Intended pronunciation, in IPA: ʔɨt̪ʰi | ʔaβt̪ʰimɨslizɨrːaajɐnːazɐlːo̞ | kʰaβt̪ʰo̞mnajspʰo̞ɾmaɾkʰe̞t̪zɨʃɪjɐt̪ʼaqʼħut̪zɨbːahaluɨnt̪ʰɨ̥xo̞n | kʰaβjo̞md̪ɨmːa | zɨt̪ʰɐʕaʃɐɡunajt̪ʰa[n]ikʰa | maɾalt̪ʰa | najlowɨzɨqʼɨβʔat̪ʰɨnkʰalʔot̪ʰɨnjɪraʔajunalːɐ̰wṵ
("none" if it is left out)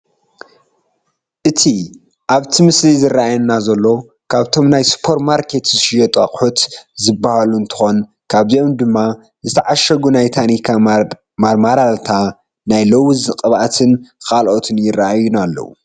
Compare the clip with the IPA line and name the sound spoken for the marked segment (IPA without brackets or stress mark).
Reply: n